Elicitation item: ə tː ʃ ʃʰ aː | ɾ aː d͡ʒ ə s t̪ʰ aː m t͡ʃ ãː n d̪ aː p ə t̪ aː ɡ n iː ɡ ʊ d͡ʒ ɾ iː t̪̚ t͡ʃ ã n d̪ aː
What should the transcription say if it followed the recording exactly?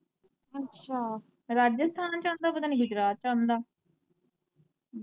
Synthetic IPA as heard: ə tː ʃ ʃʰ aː | ɾ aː d͡ʒ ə s t̪ʰ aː n t͡ʃ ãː n d̪ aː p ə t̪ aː n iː ɡ ʊ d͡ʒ ɾ aː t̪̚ t͡ʃ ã n d̪ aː